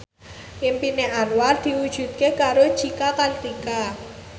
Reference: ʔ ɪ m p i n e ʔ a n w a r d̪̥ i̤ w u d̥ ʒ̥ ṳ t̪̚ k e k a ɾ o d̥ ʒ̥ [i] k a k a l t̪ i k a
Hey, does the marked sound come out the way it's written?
yes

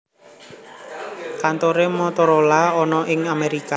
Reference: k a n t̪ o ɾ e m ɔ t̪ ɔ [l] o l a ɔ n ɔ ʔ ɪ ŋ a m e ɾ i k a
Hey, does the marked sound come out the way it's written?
no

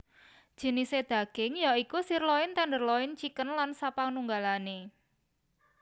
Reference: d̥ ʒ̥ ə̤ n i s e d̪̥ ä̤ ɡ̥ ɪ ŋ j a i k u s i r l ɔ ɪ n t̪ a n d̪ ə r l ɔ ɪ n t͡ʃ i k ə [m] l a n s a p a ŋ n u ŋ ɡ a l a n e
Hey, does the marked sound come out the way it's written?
no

